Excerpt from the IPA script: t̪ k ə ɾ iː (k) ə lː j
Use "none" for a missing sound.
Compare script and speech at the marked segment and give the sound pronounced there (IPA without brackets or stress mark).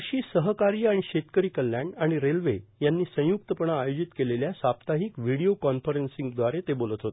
k